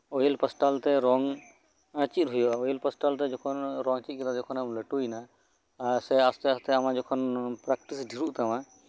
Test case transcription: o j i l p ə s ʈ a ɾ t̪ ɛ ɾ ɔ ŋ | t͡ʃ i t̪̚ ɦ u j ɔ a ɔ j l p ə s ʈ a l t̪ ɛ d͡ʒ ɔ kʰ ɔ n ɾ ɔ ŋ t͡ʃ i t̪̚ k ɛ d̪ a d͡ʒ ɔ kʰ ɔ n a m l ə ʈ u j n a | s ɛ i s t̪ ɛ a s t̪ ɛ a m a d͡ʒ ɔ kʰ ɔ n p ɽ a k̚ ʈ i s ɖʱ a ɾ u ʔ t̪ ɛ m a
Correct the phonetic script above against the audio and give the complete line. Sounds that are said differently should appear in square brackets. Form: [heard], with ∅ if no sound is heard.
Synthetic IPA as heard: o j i l p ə s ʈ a [l] t̪ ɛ ɾ ɔ ŋ | t͡ʃ i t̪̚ ɦ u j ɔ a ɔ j l p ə s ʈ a l t̪ ɛ d͡ʒ ɔ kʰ ɔ n ɾ ɔ ŋ t͡ʃ i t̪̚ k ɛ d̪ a d͡ʒ ɔ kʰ ɔ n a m l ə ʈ u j n a | s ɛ [a] s t̪ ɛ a s t̪ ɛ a m a d͡ʒ ɔ kʰ ɔ n p [ɾ] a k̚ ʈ i s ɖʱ [i] ɾ u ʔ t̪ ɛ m a